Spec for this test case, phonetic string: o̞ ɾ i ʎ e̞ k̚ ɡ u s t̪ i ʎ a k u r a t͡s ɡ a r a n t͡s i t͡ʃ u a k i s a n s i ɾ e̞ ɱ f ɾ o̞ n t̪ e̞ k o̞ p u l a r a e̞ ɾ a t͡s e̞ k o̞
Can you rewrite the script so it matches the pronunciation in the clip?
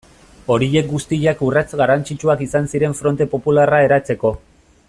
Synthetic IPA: o̞ ɾ i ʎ e̞ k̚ ɡ u s t̪ i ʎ a k u r a t͡s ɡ a r a n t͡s i t͡ʃ u a k i s a n s i ɾ e̞ ɱ f ɾ o̞ n t̪ e̞ p o̞ p u l a r a e̞ ɾ a t͡s e̞ k o̞